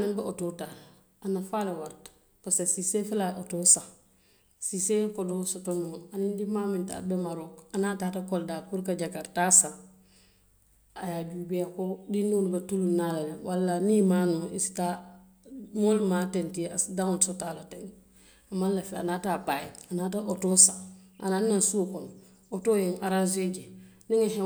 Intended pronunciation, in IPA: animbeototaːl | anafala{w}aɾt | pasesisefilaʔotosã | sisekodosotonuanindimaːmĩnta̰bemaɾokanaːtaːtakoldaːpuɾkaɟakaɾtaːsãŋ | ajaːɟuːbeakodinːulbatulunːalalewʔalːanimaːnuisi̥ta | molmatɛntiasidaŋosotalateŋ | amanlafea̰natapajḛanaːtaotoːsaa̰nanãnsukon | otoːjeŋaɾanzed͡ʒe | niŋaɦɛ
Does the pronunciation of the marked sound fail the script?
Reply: no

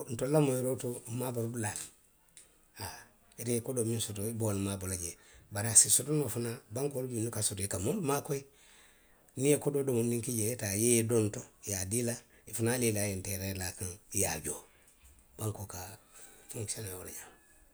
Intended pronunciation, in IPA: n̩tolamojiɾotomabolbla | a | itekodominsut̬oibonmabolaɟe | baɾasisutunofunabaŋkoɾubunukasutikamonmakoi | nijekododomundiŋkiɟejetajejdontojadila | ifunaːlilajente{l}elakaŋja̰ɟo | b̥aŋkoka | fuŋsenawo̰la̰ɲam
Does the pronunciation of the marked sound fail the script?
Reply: yes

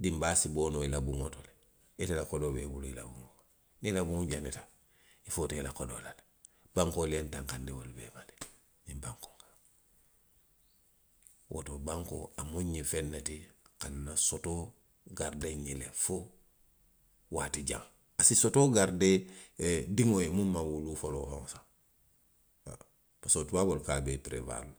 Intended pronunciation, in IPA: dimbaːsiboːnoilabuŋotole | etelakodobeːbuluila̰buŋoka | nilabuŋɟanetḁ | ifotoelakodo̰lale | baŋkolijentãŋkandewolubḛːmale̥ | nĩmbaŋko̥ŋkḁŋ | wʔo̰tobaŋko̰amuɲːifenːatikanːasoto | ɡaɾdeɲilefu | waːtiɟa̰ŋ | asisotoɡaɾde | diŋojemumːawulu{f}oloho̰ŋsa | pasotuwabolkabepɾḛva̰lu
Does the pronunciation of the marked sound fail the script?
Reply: no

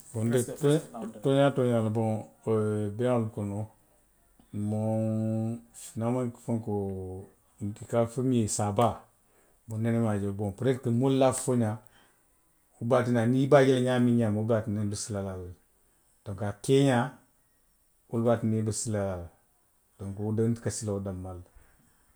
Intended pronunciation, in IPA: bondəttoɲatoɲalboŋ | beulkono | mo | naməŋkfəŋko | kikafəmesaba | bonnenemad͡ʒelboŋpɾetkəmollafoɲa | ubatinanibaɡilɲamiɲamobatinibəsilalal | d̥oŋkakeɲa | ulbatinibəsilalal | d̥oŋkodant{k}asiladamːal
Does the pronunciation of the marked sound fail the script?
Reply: no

